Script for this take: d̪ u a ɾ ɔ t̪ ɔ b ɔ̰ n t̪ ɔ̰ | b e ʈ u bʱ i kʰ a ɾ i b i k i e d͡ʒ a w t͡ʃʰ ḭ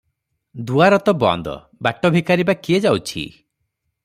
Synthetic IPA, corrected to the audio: d̪ u a ɾ ɔ t̪ ɔ b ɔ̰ n d̪ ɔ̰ | b a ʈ ɔ bʱ i k a ɾ i b a k i e d͡ʒ a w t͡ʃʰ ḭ